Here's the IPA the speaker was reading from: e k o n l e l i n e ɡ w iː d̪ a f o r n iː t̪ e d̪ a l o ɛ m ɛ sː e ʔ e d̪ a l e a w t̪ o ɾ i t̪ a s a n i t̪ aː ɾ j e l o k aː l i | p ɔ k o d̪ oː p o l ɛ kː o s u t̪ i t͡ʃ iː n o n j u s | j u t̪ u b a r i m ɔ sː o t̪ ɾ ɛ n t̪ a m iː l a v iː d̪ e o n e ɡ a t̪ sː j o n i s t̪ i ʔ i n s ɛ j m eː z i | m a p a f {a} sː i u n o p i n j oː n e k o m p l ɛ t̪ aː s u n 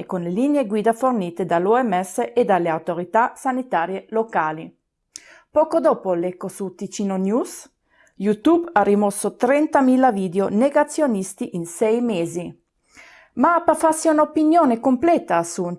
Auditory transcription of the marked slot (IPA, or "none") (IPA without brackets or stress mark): a